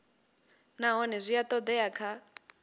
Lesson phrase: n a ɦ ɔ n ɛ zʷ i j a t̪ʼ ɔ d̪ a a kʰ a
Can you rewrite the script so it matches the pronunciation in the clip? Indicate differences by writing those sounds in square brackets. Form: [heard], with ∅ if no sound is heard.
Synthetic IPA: n a ɦ ɔ n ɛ zʷ i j a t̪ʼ ɔ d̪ [ɛ] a kʰ a